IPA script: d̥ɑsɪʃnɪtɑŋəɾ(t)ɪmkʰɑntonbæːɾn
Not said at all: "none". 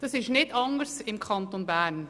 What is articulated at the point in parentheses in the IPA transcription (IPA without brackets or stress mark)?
s